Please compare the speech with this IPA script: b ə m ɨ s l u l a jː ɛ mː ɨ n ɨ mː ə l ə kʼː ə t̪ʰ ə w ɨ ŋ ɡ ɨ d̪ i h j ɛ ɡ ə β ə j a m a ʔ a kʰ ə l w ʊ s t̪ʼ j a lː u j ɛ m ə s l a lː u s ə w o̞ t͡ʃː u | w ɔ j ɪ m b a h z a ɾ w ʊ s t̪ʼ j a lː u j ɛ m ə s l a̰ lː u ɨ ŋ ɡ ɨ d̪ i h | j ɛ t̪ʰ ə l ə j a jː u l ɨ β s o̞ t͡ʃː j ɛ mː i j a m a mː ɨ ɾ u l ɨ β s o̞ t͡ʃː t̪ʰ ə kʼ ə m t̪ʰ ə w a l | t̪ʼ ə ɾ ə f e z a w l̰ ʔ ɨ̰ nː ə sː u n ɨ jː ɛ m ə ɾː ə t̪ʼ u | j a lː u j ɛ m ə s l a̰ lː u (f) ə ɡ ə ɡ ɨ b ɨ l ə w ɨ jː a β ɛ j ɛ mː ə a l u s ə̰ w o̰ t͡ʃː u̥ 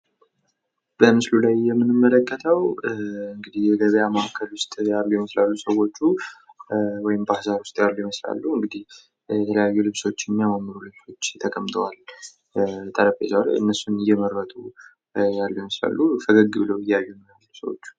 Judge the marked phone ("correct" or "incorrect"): correct